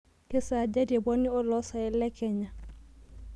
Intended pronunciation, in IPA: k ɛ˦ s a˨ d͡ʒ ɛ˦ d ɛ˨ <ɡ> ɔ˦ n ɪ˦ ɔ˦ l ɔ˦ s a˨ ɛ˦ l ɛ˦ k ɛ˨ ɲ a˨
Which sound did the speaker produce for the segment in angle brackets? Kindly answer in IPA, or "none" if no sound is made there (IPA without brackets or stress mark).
b